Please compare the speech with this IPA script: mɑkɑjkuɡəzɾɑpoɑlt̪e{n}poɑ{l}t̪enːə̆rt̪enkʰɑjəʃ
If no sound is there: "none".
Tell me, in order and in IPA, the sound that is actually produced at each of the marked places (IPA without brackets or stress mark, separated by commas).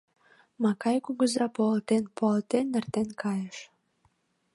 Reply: n, l